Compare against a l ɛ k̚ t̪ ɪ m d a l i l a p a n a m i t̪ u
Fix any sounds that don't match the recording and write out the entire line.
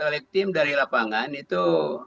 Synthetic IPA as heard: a l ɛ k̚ t̪ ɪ m d a ɾ i l a p a ŋ a n i t̪ u